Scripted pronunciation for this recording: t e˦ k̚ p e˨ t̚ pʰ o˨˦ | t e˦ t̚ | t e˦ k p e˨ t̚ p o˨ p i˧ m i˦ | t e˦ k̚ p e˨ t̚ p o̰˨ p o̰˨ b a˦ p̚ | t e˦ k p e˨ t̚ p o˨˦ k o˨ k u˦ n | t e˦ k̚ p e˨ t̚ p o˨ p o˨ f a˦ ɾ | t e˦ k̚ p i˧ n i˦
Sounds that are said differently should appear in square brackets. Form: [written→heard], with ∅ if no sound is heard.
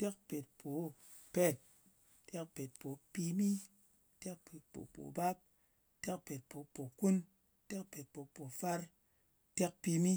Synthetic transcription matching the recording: t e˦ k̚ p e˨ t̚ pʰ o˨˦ | [t→p] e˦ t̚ | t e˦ k p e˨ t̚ p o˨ p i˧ m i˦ | t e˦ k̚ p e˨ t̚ p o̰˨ p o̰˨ b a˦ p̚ | t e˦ k p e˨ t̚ p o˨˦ [k→p] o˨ k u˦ n | t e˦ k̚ p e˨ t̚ p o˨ p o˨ f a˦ ɾ | t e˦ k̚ p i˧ [n→m] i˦